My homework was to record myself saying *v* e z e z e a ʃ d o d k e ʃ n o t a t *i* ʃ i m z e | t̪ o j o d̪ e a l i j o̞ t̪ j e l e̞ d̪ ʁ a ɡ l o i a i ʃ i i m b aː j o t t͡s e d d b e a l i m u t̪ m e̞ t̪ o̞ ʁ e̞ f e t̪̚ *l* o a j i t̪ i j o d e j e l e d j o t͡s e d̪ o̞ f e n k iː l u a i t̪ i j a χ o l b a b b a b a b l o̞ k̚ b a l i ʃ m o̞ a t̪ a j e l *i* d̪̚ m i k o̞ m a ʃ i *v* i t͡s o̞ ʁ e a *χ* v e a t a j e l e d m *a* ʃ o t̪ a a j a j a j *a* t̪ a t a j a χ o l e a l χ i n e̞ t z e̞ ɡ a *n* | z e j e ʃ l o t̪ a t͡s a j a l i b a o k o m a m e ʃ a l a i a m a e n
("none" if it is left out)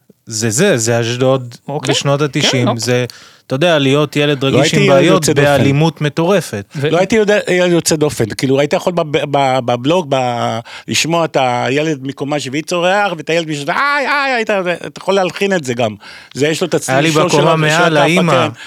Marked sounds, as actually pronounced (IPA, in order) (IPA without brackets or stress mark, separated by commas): z, i, l, e, v, χ, i, i, m